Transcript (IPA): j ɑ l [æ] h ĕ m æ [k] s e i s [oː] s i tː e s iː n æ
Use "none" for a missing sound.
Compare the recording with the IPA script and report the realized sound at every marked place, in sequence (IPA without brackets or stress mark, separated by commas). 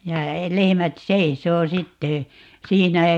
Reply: e, t, oː